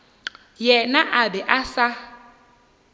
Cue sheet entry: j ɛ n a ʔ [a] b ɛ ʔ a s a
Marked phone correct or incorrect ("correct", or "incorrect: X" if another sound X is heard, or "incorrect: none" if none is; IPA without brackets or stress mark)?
correct